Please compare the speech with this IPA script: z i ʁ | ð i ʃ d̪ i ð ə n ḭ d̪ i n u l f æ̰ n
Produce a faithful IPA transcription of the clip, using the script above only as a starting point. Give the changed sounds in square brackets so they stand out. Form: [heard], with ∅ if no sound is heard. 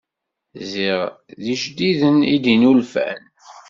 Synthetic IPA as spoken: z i ʁ | ð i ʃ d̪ i ð ə n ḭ d̪ i n u l f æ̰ n